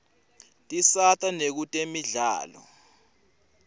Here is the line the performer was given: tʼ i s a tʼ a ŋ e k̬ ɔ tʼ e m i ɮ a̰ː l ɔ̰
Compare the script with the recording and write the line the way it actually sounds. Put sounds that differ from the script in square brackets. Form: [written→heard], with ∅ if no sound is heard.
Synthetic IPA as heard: tʼ i s a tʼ a [ŋ→n] e k̬ [ɔ→u] tʼ e m i ɮ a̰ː l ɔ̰